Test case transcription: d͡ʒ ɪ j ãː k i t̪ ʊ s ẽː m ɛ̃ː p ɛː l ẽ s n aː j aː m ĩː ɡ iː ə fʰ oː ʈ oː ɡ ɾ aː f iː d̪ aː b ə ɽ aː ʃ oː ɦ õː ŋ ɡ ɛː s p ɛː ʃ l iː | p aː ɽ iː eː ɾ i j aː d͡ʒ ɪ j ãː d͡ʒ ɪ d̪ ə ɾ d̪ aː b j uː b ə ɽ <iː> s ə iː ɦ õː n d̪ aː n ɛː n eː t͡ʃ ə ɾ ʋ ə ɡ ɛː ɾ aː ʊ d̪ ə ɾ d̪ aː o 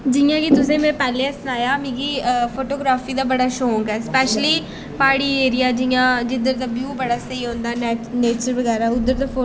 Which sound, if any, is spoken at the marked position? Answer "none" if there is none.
aː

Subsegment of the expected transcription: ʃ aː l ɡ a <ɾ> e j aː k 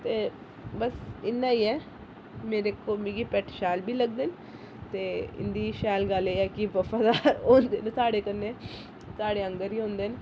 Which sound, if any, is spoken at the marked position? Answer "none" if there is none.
l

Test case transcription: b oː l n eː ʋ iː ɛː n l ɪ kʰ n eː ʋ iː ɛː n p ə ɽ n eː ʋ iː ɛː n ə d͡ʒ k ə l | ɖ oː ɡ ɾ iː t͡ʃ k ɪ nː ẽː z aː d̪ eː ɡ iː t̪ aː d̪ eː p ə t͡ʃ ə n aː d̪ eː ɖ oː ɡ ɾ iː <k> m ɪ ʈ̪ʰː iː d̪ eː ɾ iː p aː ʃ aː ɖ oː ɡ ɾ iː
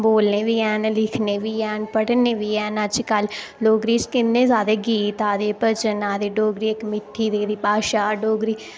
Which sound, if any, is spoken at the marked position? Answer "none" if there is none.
k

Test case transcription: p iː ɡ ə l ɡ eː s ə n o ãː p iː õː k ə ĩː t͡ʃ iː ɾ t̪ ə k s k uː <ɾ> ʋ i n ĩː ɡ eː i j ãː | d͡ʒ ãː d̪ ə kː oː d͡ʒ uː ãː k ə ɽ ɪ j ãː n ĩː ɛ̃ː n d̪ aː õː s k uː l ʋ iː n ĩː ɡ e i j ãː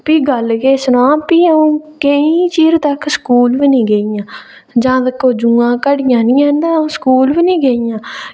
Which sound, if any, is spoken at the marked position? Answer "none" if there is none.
l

